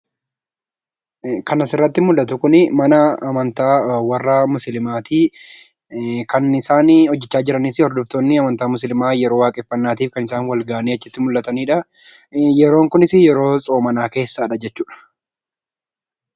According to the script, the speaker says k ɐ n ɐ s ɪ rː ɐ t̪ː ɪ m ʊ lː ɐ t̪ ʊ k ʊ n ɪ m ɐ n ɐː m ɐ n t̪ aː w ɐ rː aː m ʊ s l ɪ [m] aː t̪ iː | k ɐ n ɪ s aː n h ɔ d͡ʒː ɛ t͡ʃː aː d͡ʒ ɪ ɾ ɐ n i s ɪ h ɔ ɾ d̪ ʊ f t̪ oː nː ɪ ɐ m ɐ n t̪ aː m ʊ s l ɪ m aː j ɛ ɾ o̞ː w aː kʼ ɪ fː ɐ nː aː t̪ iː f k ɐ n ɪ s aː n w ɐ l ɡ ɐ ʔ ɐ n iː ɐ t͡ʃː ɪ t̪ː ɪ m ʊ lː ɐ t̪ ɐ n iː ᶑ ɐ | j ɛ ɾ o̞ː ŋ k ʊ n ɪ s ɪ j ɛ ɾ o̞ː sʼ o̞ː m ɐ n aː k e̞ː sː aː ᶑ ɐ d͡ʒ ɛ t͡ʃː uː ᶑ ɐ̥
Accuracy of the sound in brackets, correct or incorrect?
correct